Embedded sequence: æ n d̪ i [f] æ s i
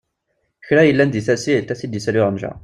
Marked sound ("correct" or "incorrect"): incorrect